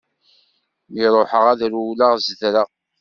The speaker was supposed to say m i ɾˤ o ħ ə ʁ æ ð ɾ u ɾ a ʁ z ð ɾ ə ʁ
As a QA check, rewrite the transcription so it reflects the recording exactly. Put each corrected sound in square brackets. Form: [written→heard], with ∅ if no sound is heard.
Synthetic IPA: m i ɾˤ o ħ ə ʁ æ ð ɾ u [ɾ→l] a ʁ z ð ɾ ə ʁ